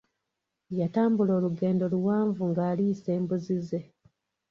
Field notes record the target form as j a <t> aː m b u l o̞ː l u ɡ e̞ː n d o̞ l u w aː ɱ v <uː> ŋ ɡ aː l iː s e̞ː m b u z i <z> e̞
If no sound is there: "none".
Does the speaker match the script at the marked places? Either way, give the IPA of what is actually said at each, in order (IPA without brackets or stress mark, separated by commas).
t, u, z